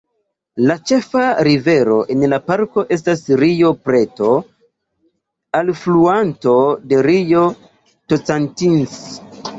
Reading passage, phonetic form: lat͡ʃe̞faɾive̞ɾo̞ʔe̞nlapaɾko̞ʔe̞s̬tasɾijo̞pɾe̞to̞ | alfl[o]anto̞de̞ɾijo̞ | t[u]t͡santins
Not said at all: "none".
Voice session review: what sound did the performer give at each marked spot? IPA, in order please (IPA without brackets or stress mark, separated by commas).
u, o